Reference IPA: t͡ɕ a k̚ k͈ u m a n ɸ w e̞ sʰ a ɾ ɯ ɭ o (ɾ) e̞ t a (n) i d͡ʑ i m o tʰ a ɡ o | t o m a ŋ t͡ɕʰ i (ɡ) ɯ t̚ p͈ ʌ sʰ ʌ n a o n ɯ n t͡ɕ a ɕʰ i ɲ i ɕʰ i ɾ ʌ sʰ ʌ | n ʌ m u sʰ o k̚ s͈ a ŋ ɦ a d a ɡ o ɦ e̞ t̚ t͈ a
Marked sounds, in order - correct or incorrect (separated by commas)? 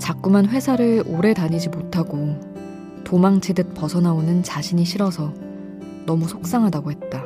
correct, incorrect, incorrect